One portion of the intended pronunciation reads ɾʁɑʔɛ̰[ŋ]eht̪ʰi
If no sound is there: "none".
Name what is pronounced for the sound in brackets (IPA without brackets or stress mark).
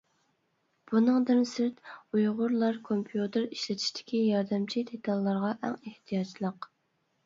ŋ